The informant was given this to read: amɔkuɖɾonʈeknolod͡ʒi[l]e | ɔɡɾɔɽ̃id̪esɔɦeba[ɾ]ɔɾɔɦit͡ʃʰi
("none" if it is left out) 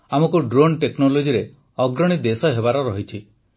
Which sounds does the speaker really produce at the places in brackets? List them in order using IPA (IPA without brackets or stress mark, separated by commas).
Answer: ɾ, ɾ